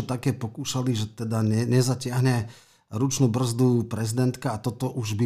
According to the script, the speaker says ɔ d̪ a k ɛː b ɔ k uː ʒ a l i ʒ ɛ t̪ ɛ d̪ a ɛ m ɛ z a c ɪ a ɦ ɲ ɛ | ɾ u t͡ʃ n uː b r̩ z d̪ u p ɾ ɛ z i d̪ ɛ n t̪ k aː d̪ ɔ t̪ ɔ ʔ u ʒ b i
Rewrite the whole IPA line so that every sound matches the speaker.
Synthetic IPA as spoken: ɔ t̪ a k ɛː p ɔ k uː ʃ a l i ʒ ɛ t̪ ɛ d̪ a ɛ ɲ ɛ z a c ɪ a ɦ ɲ ɛ | ɾ u t͡ʃ n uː b r̩ z d̪ u p ɾ ɛ z i d̪ ɛ n t̪ k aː t̪ ɔ t̪ ɔ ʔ u ʒ b i